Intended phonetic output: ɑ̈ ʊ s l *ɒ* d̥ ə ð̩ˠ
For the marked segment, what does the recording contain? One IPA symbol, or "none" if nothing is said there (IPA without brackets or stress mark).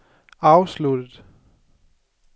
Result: u